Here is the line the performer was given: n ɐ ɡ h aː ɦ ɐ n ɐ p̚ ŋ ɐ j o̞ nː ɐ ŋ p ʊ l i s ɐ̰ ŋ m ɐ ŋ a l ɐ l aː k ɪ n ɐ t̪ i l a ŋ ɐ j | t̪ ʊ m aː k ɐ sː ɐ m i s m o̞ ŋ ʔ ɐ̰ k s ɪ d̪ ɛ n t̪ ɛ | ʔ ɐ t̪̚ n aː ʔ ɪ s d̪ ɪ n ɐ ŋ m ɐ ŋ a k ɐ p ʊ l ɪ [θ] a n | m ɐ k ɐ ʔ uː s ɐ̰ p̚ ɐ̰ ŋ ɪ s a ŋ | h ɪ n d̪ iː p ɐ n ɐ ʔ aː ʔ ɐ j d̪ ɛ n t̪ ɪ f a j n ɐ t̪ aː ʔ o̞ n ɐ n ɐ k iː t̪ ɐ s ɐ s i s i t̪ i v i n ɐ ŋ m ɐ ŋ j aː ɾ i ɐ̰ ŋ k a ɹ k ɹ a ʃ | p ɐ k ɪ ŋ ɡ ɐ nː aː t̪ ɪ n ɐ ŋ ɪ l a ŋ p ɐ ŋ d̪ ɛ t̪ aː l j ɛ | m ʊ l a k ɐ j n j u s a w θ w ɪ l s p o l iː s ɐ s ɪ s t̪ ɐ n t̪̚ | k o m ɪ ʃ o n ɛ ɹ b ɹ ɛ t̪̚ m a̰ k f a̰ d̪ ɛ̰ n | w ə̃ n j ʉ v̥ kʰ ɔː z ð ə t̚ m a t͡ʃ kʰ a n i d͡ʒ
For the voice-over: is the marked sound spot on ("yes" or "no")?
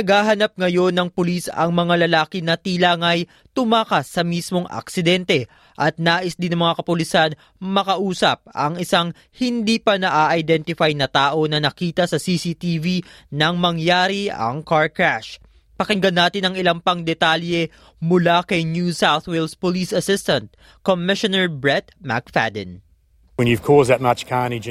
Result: no